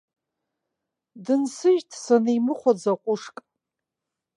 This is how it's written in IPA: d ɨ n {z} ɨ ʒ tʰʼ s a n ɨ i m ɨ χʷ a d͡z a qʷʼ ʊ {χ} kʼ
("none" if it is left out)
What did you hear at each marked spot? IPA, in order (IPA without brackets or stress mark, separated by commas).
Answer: s, ʂ